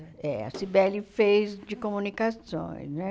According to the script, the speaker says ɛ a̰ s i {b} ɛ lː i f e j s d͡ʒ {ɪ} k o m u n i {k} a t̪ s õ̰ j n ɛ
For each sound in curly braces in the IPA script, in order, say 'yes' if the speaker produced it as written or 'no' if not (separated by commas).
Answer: yes, no, yes